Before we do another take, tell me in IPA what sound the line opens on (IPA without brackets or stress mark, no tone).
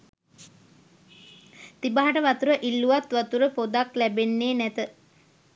t̪